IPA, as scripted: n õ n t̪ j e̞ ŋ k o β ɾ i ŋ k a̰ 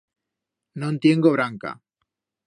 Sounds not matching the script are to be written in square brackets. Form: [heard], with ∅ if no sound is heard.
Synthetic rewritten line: n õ n t̪ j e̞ ŋ [ɡ] o β ɾ [a] ŋ k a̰

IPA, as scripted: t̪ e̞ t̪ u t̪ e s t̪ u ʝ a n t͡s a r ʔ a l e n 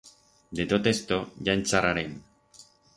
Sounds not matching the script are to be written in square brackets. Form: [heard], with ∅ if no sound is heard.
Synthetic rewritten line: [d̪] e̞ t̪ [o] t̪ e s t̪ [o] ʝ a n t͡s a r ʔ a [ɾ] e n

